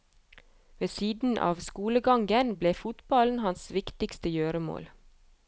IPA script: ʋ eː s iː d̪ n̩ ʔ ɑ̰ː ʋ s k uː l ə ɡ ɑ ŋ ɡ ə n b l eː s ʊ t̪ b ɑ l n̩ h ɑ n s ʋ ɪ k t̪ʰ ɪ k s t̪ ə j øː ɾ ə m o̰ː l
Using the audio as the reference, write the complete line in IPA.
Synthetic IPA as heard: ʋ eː s iː d̪ n̩ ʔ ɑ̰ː ʋ s k uː l ə ɡ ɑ ŋ ɡ ə n b l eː f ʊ t̪ b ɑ l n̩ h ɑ n s ʋ ɪ k t̪ ɪ k s t̪ ə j øː ɾ ə m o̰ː l